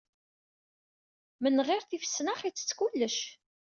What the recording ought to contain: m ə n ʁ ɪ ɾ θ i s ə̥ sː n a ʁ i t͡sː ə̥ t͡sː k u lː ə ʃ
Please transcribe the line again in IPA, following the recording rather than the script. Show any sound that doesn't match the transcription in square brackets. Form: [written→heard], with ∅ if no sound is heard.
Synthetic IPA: m ə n ʁ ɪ ɾ θ i [s→f] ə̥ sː n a [ʁ→χ] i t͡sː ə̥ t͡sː k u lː ə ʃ

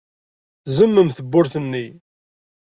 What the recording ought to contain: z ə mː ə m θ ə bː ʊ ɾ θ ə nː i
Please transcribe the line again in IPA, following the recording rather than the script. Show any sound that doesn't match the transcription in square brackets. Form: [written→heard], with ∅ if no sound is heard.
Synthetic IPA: z ə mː ə m θ ə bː ʊ ɾ θ ə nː i

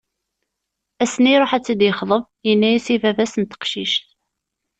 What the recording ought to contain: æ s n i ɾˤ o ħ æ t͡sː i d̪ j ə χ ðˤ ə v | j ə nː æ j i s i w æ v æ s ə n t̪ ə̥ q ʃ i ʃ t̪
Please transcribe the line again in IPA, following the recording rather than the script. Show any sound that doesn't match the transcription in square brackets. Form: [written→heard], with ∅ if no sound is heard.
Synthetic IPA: æ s n i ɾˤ o ħ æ t͡sː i d̪ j ə χ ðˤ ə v | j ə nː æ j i s i [w→v] æ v æ s ə n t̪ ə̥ q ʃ i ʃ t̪

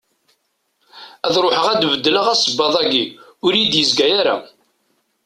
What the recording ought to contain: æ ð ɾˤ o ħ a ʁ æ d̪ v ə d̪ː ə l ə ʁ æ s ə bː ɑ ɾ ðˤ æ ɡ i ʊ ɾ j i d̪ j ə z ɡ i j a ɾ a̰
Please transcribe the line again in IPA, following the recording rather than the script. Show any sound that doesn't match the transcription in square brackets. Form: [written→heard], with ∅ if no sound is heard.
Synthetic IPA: æ ð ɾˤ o ħ [a→ə] ʁ æ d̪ v ə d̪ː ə l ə ʁ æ s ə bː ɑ [ɾ→∅] ðˤ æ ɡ i ʊ ɾ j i d̪ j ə z ɡ [i→æ] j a ɾ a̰

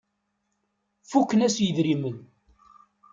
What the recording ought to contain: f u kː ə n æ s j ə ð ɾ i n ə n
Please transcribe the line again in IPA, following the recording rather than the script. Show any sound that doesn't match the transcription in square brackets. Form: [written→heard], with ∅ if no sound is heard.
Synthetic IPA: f u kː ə n æ s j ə ð ɾ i [n→m] ə n

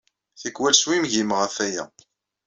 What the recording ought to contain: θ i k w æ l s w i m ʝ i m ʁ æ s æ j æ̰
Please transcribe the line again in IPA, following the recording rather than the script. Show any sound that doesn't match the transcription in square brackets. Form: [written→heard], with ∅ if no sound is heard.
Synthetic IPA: θ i k w æ l s w i m ʝ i m ʁ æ [s→f] æ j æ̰

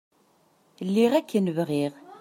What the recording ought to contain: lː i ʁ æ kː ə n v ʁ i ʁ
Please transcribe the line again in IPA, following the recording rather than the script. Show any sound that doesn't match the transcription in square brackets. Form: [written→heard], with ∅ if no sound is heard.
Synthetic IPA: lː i ʁ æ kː ə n v ʁ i ʁ

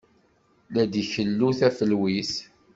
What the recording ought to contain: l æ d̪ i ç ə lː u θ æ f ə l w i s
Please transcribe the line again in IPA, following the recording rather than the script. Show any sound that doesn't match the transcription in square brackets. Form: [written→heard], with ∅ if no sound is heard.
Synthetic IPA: l æ d̪ i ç ə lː u θ æ f ə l w i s

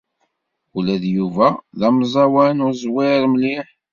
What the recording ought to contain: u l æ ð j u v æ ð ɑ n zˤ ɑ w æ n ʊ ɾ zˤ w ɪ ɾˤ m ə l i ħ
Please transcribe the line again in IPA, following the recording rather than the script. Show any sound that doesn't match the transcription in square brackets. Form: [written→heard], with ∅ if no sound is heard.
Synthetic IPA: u l æ ð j u v æ ð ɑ [n→m] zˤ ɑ w æ n ʊ ɾ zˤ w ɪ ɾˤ m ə l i ħ

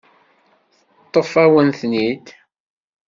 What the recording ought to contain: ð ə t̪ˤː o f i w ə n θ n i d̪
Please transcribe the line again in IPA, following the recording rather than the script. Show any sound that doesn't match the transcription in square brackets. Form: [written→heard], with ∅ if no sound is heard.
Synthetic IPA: [ð→θ] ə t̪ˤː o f [i→æ] w ə n θ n i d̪

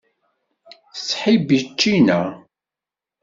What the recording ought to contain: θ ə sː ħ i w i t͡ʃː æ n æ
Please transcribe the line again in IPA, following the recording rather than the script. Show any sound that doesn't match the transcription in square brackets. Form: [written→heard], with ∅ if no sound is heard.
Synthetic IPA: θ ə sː ħ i [w→b] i t͡ʃː [æ→i] n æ

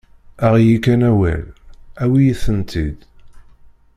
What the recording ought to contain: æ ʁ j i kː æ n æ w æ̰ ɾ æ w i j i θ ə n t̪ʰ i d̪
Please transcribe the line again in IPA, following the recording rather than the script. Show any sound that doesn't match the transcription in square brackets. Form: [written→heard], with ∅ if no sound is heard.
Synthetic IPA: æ ʁ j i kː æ n æ w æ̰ [ɾ→l] æ w i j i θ ə n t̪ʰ i d̪

